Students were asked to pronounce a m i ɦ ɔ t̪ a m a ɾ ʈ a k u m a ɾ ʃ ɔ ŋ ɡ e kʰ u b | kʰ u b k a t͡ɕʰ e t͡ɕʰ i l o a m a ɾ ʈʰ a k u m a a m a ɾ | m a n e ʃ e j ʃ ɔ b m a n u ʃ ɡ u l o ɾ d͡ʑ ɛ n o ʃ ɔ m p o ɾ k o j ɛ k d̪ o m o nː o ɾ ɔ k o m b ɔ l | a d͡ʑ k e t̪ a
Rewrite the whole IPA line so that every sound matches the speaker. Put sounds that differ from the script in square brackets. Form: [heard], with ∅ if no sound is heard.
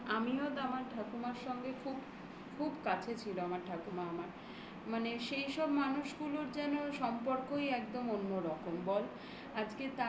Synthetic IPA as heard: a m i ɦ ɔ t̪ a m a ɾ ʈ a k u m a ɾ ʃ ɔ ŋ ɡ e kʰ u b | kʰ u b k a t͡ɕʰ e t͡ɕʰ i l o a m a ɾ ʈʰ a k u m a a m a ɾ | m a n e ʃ e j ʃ ɔ b m a n u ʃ ɡ u l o ɾ d͡ʑ ɛ n o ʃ ɔ m p o ɾ k o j ɛ k d̪ o m o nː o ɾ ɔ k o m b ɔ l | a d͡ʑ k e t̪ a